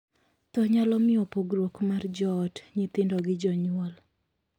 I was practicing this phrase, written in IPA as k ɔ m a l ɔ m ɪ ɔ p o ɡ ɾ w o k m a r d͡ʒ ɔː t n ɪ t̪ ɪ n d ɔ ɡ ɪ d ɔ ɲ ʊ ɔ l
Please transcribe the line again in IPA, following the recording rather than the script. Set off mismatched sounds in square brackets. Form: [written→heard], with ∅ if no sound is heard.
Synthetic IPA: [k→t] ɔ [m→ɲ] a l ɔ m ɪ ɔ p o ɡ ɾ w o k m a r d͡ʒ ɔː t [n→ɲ] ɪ t̪ ɪ n d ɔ ɡ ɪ [d→d͡ʒ] ɔ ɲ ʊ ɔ l